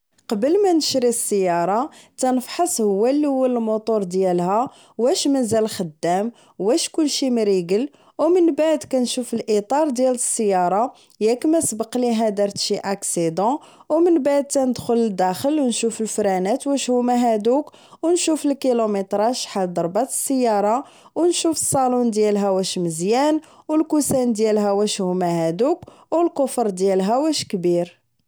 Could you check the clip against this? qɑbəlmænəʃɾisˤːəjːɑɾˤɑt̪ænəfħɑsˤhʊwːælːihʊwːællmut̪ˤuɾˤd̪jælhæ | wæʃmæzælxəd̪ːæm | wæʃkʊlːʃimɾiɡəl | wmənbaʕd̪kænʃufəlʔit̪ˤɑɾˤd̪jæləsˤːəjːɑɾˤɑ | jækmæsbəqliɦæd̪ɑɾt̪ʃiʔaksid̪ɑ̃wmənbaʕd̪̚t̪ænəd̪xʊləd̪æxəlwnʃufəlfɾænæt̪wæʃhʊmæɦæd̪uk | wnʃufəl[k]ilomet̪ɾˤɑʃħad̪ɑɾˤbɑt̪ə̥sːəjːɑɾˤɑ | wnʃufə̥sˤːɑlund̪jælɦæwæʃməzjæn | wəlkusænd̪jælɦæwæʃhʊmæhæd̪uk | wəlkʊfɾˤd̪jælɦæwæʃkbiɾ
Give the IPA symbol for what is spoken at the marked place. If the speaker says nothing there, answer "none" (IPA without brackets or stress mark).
k